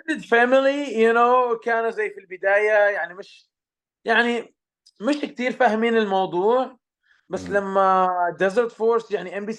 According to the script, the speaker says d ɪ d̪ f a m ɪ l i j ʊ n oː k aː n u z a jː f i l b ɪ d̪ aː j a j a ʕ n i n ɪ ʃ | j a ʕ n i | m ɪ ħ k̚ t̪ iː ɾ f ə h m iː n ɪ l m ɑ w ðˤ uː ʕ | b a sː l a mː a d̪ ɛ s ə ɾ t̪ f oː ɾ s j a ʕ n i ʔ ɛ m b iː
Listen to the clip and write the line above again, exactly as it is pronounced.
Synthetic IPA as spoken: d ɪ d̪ f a m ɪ l i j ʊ n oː k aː n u z a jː f i l b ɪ d̪ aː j a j a ʕ n i m ɪ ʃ | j a ʕ n i | m ɪ ʃ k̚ t̪ iː ɾ f a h m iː n ɪ l m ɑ w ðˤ uː ʕ | b a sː l a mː a d̪ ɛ z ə ɾ t̪ f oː ɾ s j a ʕ n i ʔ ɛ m b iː